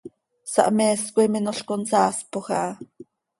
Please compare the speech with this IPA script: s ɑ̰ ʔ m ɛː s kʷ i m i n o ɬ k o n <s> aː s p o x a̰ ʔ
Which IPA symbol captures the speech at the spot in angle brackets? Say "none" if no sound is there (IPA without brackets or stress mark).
s